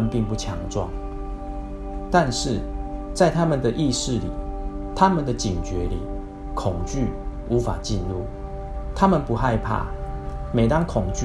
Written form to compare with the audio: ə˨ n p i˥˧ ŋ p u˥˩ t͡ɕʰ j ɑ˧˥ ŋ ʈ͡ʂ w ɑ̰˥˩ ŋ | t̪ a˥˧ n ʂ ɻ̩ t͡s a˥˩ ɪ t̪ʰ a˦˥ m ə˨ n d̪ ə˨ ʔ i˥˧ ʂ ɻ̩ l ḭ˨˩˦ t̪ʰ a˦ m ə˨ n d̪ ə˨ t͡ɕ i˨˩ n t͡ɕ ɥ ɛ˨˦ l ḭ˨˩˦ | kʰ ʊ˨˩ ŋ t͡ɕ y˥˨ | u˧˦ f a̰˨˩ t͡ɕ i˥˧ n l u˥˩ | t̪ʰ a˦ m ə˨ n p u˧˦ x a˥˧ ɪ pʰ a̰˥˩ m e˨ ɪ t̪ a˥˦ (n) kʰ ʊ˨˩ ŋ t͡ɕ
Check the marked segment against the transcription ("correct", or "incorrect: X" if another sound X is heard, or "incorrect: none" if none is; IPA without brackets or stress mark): incorrect: ŋ